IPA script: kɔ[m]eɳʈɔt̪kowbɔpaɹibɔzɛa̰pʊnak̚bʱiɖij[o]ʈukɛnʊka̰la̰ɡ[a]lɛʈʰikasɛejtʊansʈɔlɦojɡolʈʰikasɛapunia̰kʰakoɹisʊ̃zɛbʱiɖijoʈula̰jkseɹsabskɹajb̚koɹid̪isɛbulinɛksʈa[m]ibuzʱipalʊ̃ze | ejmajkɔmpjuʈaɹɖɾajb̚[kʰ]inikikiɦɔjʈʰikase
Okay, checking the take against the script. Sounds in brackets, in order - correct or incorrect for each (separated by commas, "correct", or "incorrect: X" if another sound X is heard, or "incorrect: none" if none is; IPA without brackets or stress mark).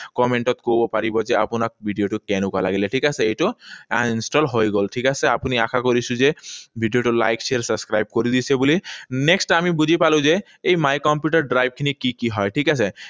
correct, correct, incorrect: i, correct, correct